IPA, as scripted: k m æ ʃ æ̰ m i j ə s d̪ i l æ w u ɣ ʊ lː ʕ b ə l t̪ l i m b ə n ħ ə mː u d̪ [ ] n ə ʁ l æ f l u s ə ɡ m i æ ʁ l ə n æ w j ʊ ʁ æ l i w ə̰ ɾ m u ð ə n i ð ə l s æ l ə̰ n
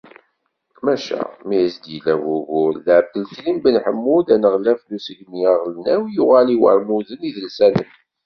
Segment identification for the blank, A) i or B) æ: B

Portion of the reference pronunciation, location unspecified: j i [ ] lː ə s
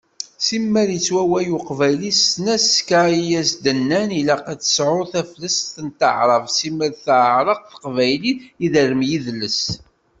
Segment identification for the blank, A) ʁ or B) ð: B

